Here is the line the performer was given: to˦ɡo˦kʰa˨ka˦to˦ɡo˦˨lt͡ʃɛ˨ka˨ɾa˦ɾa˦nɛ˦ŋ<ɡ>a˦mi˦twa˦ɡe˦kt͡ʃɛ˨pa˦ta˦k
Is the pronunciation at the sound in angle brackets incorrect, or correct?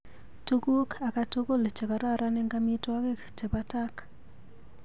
correct